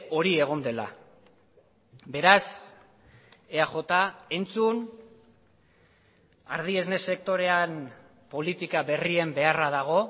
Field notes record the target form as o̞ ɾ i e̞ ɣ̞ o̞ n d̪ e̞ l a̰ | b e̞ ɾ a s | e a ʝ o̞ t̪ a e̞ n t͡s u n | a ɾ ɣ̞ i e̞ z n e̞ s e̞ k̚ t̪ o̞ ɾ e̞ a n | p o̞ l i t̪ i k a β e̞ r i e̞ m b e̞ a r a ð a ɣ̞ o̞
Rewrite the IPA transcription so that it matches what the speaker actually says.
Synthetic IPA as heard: o̞ ɾ i e̞ ɣ̞ o̞ n d̪ e̞ l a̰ | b e̞ ɾ a s | e a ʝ o̞ t̪ a e̞ n t͡s u n | a ɾ ð̞ i e̞ z n e̞ s e̞ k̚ t̪ o̞ ɾ e̞ a n | p o̞ l i t̪ i k a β e̞ r i e̞ m b e̞ a r a ð a ɣ̞ o̞

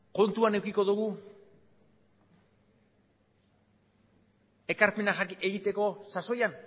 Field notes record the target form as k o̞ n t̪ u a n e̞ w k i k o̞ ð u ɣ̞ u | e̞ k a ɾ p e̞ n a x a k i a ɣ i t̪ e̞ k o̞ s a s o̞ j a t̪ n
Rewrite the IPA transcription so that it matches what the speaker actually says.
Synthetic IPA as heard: k o̞ n t̪ u a n e̞ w k i k o̞ ð u ɣ̞ u | e̞ k a ɾ p e̞ n a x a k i e ɣ i t̪ e̞ k o̞ s a s o̞ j a n

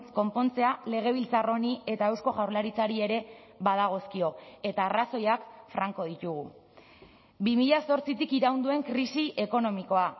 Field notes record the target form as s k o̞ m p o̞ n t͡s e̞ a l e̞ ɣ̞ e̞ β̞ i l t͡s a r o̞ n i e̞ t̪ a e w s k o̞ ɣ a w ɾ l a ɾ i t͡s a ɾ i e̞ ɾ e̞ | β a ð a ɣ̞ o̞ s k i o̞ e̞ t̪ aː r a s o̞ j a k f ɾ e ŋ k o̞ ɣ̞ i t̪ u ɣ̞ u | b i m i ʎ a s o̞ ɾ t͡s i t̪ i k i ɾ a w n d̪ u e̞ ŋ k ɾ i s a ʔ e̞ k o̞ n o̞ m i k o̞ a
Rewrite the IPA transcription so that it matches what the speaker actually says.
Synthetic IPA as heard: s k o̞ m p o̞ n t͡s e̞ a l e̞ ɣ̞ e̞ β̞ i l t͡s a r o̞ n i e̞ t̪ a e w s k o̞ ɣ a w ɾ l a ɾ i t͡s a ɾ i e̞ ɾ e̞ | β a ð a ɣ̞ o̞ s k i o̞ e̞ t̪ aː r a s o̞ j a k f ɾ a ŋ k o̞ ð̞ i t̪ u ɣ̞ u | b i m i ʎ a s o̞ ɾ t͡s i t̪ i k i ɾ a w n d̪ u e̞ ŋ k ɾ i s i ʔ e̞ k o̞ n o̞ m i k o̞ a

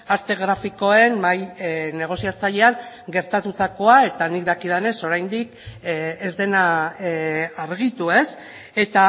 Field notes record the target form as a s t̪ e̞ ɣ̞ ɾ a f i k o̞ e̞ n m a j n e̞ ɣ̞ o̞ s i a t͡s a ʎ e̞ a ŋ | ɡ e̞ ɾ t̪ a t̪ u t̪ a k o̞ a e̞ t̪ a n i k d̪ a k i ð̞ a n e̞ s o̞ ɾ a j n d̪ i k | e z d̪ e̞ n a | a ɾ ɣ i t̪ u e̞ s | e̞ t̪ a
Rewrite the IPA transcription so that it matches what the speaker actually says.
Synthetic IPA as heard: a s t̪ e̞ ɣ̞ ɾ a f i k o̞ e̞ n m a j n e̞ ɣ̞ o̞ s i a t͡s a ʎ e̞ a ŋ | ɡ e̞ ɾ t̪ a t̪ u t̪ a k o̞ a e̞ t̪ a n i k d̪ a k i ð̞ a n e̞ s o̞ ɾ a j n d̪ i k | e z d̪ e̞ n a | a ɾ ɣ i t̪ u e̞ s | e̞ t̪ a

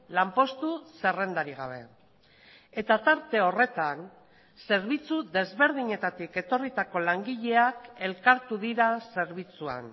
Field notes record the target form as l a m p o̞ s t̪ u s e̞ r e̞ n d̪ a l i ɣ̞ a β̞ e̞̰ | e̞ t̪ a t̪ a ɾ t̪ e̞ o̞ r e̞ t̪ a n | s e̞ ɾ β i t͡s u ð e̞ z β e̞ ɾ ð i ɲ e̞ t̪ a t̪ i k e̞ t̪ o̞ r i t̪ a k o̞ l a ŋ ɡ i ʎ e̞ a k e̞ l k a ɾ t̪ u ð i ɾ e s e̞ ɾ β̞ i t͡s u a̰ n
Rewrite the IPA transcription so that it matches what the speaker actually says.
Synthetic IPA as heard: l a m p o̞ s t̪ u s e̞ r e̞ n d̪ a ɾ i ɣ̞ a β̞ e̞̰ | e̞ t̪ a t̪ a ɾ t̪ e̞ o̞ r e̞ t̪ a n | s e̞ ɾ β i t͡s u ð e̞ z β e̞ ɾ ð i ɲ e̞ t̪ a t̪ i k e̞ t̪ o̞ r i t̪ a k o̞ l a ŋ ɡ i ʎ e̞ a k e̞ l k a ɾ t̪ u ð i ɾ a s e̞ ɾ β̞ i t͡s u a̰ n

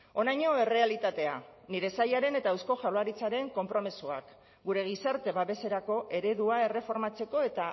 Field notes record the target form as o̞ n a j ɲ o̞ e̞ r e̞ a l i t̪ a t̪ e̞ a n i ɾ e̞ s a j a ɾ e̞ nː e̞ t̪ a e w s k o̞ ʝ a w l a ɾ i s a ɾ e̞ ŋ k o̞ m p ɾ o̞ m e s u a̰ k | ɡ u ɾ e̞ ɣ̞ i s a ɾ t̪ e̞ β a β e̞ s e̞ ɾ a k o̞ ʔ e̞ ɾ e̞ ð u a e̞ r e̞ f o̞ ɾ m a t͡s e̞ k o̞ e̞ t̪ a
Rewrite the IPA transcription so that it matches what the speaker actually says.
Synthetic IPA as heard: o̞ n a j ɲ o̞ e̞ r e̞ a l i t̪ a t̪ e̞ a n i ɾ e̞ s a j a ɾ e̞ n e̞ t̪ a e w s k o̞ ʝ a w l a ɾ i t͡s a ɾ e̞ ŋ k o̞ m p ɾ o̞ m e s u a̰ k | ɡ u ɾ e̞ ɣ̞ i s a ɾ t̪ e̞ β a β e̞ s e̞ ɾ a k o̞ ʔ e̞ ɾ e̞ ð u a e̞ r e̞ f o̞ ɾ m a t͡s e̞ k o̞ e̞ t̪ a

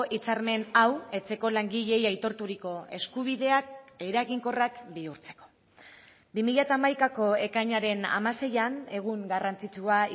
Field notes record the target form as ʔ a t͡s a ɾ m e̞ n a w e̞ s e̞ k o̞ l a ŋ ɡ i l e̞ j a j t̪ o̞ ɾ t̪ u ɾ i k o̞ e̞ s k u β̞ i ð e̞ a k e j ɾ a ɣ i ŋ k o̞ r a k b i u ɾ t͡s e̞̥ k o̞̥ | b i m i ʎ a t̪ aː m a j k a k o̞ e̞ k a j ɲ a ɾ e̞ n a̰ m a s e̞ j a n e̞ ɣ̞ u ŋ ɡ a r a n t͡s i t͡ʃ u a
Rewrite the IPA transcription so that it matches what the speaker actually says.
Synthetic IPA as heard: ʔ i t͡s a ɾ m e̞ n a w e̞ t͡s e̞ k o̞ l a ŋ ɡ i ʎ e̞ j a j t̪ o̞ ɾ t̪ u ɾ i k o̞ e̞ s k u β̞ i ð e̞ a k e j ɾ a ɣ i ŋ k o̞ r a k b i u ɾ t͡s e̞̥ k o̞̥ | b i m i ʎ a t̪ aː m a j k a k o̞ e̞ k a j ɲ a ɾ e̞ n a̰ m a s e̞ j a n e̞ ɣ̞ u ŋ ɡ a r a n t͡s i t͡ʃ u a

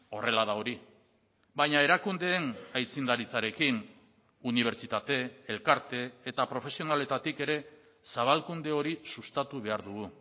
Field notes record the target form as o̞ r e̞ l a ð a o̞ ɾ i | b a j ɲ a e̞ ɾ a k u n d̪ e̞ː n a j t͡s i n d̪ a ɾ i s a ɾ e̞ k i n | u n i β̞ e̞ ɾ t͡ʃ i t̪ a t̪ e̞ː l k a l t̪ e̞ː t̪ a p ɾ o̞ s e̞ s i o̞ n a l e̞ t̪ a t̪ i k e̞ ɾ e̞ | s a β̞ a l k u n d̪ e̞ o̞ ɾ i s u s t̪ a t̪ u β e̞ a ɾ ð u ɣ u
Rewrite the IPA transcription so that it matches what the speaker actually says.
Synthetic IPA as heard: o̞ r e̞ l a ð a o̞ ɾ i | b a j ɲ a e̞ ɾ a k u n d̪ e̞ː n a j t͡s i n d̪ a ɾ i t͡s a ɾ e̞ k i n | u n i β̞ e̞ ɾ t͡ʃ i t̪ a t̪ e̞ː l k a ɾ t̪ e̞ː t̪ a p ɾ o̞ f e̞ s i o̞ n a l e̞ t̪ a t̪ i k e̞ ɾ e̞ | s a β̞ a l k u n d̪ e̞ o̞ ɾ i s u s t̪ a t̪ u β e̞ a ɾ ð u ɣ u

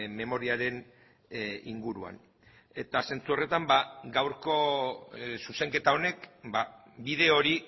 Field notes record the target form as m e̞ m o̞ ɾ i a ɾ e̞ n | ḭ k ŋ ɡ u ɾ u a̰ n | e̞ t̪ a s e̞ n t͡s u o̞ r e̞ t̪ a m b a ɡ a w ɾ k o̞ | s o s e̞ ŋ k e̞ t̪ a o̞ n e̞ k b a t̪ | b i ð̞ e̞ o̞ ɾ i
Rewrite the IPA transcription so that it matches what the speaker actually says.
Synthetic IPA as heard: m e̞ m o̞ ɾ i a ɾ e̞ n | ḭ ŋ ɡ u ɾ u a̰ n | e̞ t̪ a s e̞ n t͡s u o̞ r e̞ t̪ a m b a ɡ a w ɾ k o̞ | s u s e̞ ŋ k e̞ t̪ a o̞ n e̞ k b a | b i ð̞ e̞ o̞ ɾ i

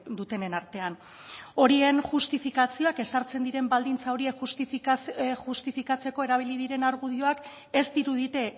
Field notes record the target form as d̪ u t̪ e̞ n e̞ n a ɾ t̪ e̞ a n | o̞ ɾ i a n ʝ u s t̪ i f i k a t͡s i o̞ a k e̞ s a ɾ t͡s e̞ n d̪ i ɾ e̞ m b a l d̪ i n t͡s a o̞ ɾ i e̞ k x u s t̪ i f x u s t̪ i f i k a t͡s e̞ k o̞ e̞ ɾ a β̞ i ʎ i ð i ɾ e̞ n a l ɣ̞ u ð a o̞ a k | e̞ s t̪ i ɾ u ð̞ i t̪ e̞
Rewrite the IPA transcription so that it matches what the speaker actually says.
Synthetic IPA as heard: d̪ u t̪ e̞ n e̞ n a ɾ t̪ e̞ a n | o̞ ɾ i e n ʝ u s t̪ i f i k a t͡s i o̞ a k e̞ s a ɾ t͡s e̞ n d̪ i ɾ e̞ m b a l d̪ i n t͡s a o̞ ɾ i e̞ k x u s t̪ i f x u s t̪ i f i k a t͡s e̞ k o̞ e̞ ɾ a β̞ i l i ð i ɾ e̞ n a ɾ ɣ̞ u ð i o̞ a k | e̞ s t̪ i ɾ u ð̞ i t̪ e̞

